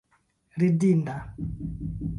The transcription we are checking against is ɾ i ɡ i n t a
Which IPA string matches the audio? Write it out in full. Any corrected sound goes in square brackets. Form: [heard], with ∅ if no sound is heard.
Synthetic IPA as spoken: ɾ i [d] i n [d] a